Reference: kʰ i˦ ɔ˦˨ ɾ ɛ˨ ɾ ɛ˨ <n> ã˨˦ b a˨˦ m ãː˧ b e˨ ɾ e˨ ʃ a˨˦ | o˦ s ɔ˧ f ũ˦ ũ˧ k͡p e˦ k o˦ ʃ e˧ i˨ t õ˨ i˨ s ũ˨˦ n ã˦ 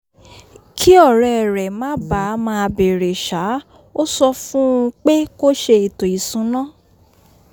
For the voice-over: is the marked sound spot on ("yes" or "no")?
no